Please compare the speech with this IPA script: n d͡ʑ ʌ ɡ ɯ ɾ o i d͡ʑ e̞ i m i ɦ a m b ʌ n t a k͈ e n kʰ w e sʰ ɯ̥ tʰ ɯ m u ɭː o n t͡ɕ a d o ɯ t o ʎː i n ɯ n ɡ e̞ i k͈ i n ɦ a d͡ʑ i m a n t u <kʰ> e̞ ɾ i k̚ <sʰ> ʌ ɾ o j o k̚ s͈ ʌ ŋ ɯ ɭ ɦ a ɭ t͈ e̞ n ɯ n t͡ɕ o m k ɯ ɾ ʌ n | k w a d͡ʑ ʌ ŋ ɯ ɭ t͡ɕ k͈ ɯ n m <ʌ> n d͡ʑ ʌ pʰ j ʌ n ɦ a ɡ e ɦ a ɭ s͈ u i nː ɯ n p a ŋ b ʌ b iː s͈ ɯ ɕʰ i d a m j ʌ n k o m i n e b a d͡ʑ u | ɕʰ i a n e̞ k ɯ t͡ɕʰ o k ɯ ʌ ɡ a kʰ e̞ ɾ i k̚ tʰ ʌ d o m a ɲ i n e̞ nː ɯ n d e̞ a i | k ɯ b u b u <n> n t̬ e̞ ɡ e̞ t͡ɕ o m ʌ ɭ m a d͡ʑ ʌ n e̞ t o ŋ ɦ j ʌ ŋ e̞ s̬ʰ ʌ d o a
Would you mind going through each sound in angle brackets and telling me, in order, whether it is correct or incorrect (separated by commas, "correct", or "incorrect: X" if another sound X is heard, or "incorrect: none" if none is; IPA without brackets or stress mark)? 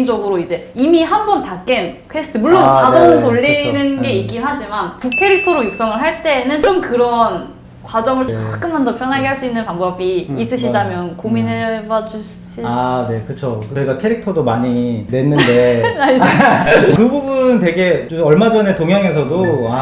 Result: correct, incorrect: tʰ, incorrect: a, correct